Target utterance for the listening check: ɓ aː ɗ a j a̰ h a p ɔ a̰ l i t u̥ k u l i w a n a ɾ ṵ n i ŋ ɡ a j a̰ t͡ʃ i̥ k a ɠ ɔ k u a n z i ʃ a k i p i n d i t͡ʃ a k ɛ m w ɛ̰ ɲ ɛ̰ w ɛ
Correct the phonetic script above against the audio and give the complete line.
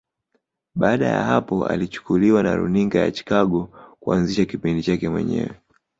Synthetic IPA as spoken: ɓ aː ɗ a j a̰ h a p ɔ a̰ l i t͡ʃ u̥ k u l i w a n a ɾ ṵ n i ŋ ɡ a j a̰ t͡ʃ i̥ k a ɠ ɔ k u a n z i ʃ a k i p i n d i t͡ʃ a k ɛ m w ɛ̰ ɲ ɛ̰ w ɛ